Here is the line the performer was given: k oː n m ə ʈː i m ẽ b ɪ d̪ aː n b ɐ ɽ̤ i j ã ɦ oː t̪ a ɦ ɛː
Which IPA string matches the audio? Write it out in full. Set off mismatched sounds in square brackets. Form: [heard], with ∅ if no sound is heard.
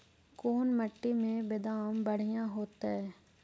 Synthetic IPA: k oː n m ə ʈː i m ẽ b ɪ d̪ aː [m] b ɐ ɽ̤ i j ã ɦ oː t̪ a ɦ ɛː